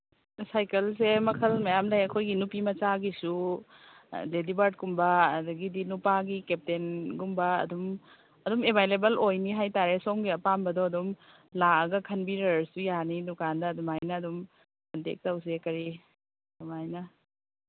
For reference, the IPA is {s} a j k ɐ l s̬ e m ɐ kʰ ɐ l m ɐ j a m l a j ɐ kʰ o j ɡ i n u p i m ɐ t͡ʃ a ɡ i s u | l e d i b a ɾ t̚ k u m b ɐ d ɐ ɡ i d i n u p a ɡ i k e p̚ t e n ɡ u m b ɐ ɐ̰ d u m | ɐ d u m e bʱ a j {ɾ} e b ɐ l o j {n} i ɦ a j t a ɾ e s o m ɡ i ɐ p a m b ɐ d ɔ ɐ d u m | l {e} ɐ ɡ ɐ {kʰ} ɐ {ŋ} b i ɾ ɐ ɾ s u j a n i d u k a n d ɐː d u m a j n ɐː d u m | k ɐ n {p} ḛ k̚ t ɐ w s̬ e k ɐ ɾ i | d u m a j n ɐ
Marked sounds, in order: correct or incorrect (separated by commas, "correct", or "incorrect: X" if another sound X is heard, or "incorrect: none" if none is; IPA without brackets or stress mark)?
correct, incorrect: l, correct, incorrect: a, correct, incorrect: n, incorrect: t